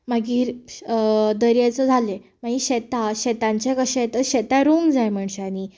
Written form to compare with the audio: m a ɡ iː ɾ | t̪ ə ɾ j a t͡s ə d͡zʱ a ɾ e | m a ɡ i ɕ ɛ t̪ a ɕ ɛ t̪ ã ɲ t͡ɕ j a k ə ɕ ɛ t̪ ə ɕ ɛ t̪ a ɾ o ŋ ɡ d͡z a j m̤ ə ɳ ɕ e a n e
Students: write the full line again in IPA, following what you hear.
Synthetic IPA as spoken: m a ɡ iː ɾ | d̪ ə ɾ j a t͡s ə d͡zʱ a l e | m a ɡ i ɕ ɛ t̪ a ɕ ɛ t̪ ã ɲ t͡ɕ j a k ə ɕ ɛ t̪ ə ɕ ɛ t̪ a ɾ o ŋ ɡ d͡z a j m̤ ə ɳ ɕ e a n i

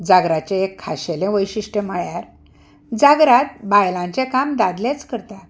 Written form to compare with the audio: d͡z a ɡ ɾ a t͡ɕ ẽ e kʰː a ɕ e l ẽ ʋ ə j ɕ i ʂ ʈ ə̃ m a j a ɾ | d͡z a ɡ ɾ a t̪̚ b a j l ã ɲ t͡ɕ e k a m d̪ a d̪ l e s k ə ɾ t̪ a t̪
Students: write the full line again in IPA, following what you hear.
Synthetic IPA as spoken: d͡z a ɡ ɾ a t͡ɕ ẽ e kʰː a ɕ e l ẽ ʋ ə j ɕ i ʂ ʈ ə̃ m a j a ɾ | d͡z a ɡ ɾ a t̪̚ b a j l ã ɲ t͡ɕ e k a m d̪ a d̪ l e t͡s k ə ɾ t̪ a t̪

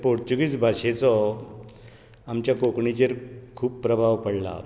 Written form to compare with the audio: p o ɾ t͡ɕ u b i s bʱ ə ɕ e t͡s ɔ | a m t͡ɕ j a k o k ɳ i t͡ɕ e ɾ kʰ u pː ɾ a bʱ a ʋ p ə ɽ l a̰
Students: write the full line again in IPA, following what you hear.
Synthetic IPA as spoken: p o ɾ t͡ɕ u ɡ i t͡s bʱ a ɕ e t͡s ɔ | a m t͡ɕ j a k o k ɳ i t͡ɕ e ɾ kʰ uː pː ɾ ə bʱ a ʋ p ə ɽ l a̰

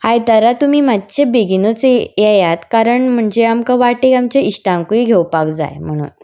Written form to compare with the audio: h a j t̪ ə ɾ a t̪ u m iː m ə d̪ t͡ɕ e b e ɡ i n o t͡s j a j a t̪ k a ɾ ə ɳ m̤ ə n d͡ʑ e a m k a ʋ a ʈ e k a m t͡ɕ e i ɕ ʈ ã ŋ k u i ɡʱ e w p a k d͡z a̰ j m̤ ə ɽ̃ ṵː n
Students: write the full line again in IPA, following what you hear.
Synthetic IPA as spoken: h a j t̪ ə ɾ a t̪ u m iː m a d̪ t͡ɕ e b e ɡ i n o t͡s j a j a t̪ k a ɾ ə ɳ m̤ ə ɳ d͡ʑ e a m k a ʋ a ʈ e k a m t͡ɕ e i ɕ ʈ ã ŋ k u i ɡʱ e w p a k d͡z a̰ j m̤ ə ɽ̃ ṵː n

